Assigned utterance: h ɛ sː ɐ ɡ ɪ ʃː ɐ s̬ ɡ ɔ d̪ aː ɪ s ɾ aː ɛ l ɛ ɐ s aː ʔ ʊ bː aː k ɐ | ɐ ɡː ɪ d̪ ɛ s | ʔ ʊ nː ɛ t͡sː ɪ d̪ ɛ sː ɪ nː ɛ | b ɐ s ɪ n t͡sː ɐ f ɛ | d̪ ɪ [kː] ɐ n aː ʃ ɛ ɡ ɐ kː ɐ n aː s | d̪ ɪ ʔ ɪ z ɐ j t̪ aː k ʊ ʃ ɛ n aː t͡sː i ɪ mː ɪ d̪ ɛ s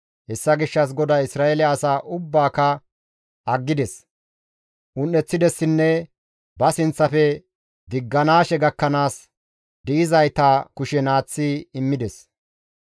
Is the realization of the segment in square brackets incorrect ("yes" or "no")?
yes